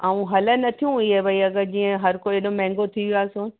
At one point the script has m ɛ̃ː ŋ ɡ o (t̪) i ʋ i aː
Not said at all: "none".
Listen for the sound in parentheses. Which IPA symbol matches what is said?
t̪ʰ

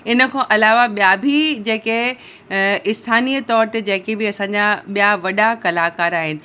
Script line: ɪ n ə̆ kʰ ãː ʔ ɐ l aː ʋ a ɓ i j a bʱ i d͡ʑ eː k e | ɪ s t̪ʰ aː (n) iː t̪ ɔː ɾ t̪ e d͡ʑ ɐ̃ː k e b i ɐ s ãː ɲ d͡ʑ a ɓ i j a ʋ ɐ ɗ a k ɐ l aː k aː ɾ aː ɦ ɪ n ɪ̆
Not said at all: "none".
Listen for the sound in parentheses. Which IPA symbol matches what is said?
n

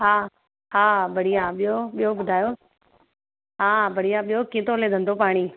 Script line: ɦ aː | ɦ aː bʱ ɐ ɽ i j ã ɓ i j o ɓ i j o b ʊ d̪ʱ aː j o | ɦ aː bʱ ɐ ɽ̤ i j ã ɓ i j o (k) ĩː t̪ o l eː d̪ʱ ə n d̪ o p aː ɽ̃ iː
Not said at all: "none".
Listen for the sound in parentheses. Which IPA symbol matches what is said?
k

